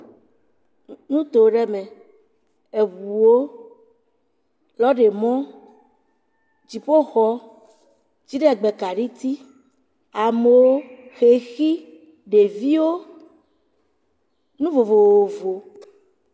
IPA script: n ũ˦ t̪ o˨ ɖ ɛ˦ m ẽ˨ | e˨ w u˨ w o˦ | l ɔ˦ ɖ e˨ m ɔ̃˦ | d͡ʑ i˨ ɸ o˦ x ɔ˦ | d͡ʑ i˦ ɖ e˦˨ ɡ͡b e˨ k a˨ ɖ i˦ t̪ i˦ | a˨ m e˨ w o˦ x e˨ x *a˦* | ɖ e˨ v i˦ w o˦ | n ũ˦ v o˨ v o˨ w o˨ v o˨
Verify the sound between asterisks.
incorrect: i˦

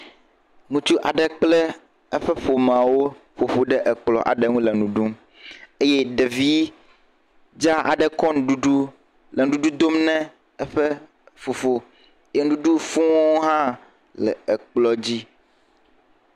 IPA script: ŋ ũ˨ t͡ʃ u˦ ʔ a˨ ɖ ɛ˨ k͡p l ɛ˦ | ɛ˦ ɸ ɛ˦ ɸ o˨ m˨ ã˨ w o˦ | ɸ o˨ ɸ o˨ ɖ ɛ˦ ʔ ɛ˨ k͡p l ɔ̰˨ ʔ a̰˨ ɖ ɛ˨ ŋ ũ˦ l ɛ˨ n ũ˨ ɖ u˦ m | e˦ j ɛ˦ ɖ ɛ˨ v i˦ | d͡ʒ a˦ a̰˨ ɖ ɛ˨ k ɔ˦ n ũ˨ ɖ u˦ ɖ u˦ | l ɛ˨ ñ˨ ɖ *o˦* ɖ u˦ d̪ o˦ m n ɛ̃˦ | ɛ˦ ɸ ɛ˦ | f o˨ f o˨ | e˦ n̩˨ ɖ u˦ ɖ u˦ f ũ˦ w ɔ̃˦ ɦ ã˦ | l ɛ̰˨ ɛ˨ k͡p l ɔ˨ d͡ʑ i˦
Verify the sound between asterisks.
incorrect: u˦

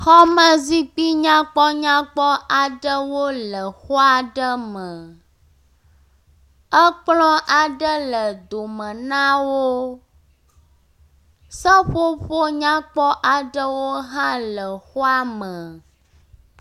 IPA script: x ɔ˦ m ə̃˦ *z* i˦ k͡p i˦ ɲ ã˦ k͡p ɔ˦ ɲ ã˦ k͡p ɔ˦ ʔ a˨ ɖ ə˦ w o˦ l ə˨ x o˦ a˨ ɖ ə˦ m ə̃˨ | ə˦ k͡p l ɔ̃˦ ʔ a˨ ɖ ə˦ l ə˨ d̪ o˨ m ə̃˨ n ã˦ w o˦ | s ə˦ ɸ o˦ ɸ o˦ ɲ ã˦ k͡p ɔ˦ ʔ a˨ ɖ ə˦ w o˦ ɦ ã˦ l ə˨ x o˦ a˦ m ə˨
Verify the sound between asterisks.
correct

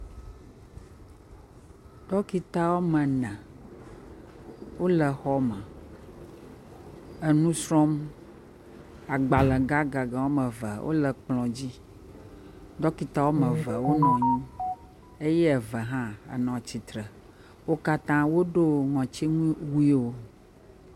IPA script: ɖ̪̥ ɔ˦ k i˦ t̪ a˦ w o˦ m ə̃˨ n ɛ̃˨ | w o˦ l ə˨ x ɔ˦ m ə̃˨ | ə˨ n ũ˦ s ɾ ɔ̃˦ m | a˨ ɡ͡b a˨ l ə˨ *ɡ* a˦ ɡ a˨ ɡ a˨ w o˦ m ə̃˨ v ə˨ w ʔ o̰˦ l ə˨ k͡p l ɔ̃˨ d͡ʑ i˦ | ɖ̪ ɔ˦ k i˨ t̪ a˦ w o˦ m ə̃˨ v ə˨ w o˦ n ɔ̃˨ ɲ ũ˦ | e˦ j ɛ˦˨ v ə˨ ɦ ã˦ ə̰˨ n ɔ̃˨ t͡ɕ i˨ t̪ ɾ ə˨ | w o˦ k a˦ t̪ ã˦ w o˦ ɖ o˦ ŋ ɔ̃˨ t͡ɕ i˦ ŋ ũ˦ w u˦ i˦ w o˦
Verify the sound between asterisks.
correct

